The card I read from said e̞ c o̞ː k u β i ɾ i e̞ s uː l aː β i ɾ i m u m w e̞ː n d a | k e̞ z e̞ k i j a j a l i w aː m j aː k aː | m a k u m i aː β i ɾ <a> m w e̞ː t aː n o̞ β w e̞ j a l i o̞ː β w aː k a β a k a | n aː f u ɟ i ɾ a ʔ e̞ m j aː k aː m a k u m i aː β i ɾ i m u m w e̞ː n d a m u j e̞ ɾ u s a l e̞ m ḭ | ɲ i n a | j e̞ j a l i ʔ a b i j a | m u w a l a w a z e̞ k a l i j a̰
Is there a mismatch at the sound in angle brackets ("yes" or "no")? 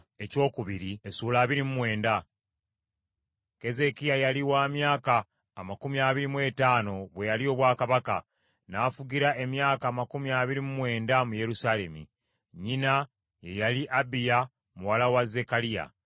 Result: yes